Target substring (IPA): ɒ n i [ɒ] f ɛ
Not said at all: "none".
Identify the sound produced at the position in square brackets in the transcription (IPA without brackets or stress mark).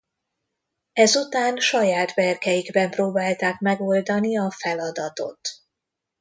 ɒ